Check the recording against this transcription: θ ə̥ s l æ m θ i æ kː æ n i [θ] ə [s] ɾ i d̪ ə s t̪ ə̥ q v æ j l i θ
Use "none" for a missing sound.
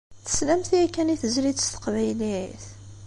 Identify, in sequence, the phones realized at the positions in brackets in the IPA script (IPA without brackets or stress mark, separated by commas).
θ, z